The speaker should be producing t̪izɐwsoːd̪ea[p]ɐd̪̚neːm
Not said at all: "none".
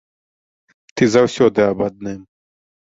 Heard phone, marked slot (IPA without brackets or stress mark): b